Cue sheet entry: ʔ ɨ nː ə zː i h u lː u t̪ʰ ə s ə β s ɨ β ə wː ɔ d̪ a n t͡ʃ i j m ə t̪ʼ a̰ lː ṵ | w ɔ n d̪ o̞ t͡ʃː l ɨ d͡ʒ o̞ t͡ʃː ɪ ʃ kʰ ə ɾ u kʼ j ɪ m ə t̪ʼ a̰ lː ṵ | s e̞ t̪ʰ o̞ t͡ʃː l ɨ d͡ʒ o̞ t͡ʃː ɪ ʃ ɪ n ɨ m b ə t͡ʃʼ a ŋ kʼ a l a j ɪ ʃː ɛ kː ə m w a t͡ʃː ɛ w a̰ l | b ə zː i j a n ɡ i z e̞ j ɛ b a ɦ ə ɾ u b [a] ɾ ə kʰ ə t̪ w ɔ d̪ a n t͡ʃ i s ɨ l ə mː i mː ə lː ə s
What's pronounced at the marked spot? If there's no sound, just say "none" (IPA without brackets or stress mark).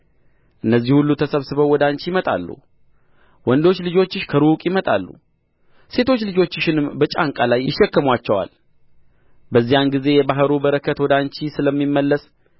ə